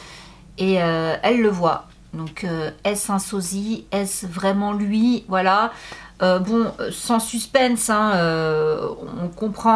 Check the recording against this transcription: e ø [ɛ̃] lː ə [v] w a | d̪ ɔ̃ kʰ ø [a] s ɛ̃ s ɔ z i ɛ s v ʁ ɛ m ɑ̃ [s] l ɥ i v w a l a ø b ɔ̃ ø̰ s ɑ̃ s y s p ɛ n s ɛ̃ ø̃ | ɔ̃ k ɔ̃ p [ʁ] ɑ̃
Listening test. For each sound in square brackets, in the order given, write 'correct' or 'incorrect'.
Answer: incorrect: ɛ, correct, incorrect: ɛ, incorrect: none, incorrect: χ

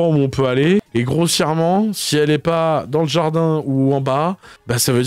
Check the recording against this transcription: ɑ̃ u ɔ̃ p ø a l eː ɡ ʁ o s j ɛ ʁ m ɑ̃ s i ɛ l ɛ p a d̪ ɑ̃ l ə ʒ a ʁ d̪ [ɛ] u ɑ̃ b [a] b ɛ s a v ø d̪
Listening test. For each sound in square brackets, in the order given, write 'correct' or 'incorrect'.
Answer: incorrect: ɛ̃, correct

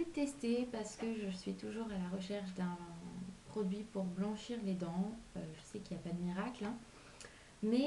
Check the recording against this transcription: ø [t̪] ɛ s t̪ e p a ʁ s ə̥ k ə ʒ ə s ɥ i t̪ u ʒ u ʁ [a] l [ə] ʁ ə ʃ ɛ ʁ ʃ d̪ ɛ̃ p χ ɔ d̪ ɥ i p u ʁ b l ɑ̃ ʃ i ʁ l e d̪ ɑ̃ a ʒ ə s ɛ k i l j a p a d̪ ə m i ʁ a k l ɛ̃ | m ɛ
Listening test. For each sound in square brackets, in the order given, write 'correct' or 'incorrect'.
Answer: correct, correct, incorrect: a

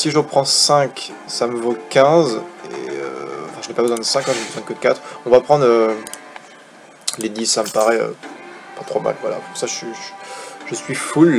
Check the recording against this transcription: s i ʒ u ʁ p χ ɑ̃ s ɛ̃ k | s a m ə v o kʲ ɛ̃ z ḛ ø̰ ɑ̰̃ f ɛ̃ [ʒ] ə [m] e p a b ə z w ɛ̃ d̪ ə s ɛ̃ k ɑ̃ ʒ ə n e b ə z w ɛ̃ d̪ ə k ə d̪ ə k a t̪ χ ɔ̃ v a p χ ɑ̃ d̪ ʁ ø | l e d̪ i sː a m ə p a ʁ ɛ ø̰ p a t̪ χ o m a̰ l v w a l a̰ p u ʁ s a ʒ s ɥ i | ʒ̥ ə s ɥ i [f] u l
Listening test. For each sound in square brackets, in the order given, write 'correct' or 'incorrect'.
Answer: correct, incorrect: n, correct

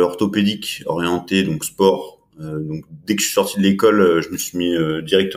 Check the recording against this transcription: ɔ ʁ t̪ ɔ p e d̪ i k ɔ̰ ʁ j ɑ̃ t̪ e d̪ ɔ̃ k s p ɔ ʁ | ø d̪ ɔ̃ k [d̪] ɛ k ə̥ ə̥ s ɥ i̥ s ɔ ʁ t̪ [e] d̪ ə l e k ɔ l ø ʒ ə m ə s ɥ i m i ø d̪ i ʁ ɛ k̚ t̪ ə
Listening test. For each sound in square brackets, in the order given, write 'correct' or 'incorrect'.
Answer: correct, incorrect: i

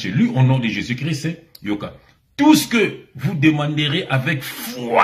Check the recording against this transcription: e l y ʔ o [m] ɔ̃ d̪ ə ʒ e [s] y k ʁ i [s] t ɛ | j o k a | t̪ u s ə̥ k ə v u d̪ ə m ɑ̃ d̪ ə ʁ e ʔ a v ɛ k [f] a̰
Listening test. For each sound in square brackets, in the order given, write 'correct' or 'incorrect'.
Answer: incorrect: n, incorrect: z, correct, correct

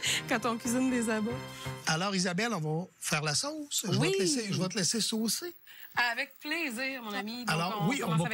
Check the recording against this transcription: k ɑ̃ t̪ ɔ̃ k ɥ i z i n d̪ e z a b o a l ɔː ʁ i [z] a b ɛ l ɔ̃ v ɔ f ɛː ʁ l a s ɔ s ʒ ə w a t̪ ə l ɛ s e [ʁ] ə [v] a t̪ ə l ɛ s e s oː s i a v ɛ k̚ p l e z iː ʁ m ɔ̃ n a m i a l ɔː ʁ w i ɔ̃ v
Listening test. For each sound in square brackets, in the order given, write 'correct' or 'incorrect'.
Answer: correct, incorrect: ʒ, correct

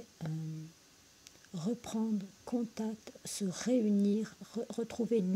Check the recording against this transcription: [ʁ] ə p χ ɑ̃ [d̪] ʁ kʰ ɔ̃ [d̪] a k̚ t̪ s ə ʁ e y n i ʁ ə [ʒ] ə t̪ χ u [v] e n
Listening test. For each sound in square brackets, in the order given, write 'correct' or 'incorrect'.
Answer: correct, correct, incorrect: t̪, incorrect: ʁ, correct

